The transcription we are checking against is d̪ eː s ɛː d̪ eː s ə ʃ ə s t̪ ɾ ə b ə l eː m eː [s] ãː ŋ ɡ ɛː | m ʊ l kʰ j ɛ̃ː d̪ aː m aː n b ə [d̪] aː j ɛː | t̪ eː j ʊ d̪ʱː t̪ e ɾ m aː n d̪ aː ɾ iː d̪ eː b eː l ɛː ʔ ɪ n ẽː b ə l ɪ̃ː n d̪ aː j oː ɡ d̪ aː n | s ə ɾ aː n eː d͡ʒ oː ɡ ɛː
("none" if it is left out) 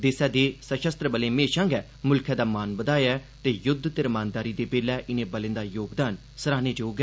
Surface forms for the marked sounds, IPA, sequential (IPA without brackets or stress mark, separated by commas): ʃ, d̪